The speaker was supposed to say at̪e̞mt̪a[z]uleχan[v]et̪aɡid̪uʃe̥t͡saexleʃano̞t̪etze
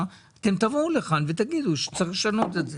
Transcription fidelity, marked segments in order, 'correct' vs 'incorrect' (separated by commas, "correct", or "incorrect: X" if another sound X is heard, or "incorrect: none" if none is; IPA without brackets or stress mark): incorrect: v, correct